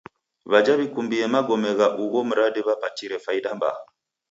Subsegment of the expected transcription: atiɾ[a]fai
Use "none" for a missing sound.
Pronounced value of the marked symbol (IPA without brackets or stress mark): ɛ